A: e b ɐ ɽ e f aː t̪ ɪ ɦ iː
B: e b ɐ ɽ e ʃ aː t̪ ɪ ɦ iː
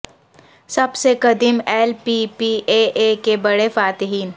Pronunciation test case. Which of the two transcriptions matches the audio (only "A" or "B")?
A